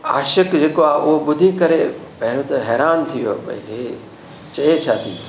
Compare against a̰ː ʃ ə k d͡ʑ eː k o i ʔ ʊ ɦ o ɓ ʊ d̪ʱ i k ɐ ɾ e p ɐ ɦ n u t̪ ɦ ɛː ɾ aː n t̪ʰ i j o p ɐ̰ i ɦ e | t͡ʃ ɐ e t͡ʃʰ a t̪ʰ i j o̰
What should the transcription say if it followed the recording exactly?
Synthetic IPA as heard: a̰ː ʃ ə k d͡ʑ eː k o a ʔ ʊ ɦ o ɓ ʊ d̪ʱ i k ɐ ɾ e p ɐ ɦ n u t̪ ɦ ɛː ɾ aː n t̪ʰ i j o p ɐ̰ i ɦ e | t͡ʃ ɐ e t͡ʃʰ a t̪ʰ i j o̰